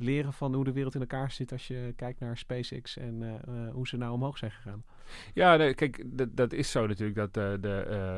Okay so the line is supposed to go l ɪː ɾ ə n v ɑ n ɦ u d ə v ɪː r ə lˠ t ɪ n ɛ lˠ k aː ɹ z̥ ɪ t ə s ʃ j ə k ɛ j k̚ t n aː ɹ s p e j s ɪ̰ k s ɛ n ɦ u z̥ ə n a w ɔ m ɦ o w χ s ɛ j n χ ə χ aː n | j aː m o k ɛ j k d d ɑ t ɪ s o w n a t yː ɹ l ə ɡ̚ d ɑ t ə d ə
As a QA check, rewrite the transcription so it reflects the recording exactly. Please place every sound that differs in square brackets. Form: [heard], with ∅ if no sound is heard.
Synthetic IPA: l ɪː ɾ ə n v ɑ n ɦ u d ə [ʋ] ɪː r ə lˠ t ɪ n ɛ lˠ k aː ɹ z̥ ɪ t [ɑ] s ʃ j ə k ɛ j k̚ t n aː ɹ s p e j s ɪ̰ k s ɛ n ɦ u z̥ ə n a w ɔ m ɦ o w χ s ɛ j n χ ə χ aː n | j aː [n] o k ɛ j k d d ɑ t ɪ s o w n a t yː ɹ l ə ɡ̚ d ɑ t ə d ə